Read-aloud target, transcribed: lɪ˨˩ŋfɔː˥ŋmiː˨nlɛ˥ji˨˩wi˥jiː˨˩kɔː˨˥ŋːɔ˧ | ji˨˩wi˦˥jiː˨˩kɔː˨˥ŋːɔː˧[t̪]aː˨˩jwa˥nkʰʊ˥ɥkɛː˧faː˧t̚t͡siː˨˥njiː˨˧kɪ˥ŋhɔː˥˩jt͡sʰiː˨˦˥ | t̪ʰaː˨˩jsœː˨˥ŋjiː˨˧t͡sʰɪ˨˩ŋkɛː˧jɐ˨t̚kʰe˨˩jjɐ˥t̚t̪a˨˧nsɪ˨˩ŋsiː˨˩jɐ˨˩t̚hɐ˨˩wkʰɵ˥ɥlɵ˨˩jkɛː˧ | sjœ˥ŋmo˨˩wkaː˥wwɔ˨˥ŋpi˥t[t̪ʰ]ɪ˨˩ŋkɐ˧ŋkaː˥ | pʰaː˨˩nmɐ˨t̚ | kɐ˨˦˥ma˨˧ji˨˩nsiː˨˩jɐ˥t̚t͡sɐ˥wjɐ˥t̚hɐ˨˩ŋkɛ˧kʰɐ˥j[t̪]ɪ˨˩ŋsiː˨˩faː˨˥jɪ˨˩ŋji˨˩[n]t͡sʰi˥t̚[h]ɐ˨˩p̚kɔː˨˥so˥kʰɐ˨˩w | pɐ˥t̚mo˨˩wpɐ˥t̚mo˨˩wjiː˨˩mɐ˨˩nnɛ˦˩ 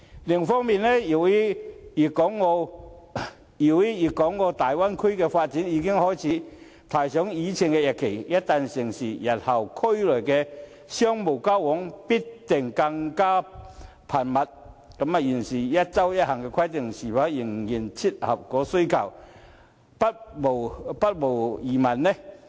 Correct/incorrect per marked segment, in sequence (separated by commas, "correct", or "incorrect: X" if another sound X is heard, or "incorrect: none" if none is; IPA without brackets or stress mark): correct, incorrect: t̪, correct, correct, correct